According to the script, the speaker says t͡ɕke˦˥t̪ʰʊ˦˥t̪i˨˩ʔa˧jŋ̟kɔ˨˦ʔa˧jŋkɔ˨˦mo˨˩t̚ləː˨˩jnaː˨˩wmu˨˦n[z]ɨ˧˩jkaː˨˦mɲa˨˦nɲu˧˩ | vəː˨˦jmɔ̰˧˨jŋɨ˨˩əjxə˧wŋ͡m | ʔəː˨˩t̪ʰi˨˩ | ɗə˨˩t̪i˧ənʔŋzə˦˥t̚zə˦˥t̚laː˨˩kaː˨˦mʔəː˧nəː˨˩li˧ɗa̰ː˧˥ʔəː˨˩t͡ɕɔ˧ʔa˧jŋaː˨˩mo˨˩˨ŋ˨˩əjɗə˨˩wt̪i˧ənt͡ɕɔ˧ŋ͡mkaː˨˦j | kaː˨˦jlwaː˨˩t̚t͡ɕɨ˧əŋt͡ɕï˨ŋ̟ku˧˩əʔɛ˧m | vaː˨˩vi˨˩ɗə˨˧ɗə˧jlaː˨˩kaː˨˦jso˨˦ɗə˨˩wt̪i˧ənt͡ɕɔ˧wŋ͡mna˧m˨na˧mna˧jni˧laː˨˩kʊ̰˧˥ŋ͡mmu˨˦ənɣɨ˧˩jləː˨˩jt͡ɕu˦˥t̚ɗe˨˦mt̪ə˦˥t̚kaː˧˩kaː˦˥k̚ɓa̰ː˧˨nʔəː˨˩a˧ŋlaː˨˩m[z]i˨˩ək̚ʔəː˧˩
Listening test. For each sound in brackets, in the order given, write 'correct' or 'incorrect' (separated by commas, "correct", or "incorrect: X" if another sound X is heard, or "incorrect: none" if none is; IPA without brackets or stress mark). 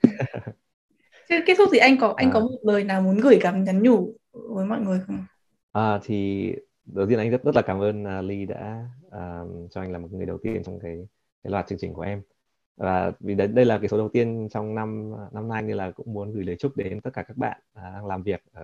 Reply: incorrect: ɣ, incorrect: v